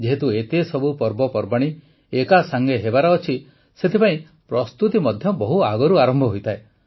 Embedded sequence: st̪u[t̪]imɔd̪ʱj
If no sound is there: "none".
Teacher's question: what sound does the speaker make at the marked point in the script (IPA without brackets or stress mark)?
t̪